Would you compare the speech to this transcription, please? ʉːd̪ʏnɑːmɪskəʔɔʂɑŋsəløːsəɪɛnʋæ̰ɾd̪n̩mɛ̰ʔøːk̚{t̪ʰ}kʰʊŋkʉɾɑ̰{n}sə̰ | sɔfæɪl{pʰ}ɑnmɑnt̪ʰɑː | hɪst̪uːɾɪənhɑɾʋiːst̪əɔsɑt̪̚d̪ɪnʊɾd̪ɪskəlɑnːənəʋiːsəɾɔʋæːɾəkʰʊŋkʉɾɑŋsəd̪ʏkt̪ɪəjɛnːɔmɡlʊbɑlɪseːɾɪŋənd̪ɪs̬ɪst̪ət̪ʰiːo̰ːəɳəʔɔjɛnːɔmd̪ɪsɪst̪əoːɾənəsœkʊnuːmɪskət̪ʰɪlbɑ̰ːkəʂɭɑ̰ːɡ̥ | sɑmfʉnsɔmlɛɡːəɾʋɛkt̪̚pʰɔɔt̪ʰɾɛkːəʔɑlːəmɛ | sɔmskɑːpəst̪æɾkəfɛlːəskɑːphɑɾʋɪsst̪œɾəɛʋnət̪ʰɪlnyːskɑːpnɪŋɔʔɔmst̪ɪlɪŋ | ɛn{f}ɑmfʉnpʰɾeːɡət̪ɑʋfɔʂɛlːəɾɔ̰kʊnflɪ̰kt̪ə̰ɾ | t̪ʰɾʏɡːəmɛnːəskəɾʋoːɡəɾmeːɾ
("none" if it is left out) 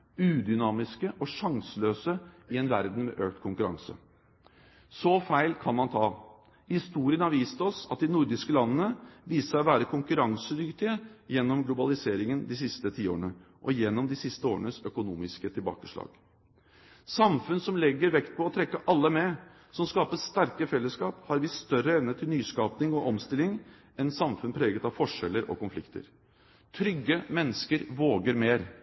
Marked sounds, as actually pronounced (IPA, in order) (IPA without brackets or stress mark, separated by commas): t̪, ŋ, kʰ, s